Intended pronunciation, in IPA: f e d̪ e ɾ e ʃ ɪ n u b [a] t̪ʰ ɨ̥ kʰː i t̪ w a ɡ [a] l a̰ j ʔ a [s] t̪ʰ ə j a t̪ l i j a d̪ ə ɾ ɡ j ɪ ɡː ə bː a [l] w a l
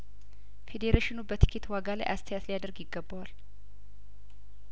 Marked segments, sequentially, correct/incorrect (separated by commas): incorrect, correct, correct, incorrect